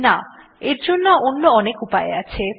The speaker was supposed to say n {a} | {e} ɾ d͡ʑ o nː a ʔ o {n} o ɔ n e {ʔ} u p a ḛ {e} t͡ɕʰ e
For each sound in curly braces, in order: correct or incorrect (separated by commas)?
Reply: correct, correct, incorrect, incorrect, incorrect